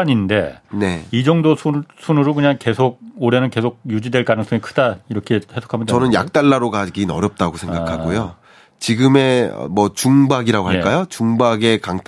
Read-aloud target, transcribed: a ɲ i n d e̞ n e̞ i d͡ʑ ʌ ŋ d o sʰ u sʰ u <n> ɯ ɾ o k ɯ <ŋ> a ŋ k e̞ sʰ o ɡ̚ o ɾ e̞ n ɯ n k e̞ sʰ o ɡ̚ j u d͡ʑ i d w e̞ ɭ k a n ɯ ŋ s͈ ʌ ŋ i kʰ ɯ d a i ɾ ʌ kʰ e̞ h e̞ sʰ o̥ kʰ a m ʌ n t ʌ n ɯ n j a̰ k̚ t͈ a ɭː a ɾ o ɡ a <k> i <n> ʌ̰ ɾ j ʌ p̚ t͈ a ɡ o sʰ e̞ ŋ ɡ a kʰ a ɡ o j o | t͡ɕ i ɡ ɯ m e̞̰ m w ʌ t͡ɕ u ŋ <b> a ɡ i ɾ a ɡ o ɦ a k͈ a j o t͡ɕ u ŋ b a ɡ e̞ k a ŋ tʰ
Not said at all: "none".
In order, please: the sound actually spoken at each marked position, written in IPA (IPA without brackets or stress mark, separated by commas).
n, ɲ, ɡ, n, b